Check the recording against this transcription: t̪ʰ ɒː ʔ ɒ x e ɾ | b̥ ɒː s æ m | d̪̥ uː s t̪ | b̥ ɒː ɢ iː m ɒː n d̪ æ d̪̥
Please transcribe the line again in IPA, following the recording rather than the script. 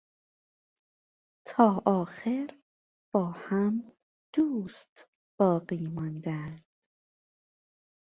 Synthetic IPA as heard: t̪ʰ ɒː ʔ ɒː x e ɾ | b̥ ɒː h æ m | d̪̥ uː s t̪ | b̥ ɒː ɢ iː m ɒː n d̪ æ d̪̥